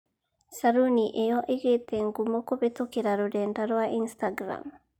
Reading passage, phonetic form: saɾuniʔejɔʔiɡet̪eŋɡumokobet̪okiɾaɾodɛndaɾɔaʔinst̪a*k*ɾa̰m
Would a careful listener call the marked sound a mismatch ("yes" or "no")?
yes